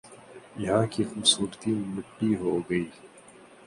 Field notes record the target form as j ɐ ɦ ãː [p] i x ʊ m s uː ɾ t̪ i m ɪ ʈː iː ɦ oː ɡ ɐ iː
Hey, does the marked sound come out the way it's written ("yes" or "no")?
no